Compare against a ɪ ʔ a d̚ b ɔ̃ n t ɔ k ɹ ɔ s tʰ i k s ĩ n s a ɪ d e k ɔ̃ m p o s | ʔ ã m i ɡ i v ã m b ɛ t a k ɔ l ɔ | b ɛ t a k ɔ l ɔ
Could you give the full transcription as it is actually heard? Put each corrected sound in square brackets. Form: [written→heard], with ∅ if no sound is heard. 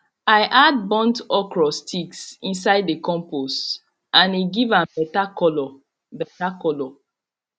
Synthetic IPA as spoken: a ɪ ʔ a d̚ b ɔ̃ n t ɔ k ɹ ɔ s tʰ i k s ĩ n s a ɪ d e k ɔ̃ m p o s | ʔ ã [m→n] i ɡ i v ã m b ɛ t a k ɔ l ɔ | b ɛ t a k ɔ l ɔ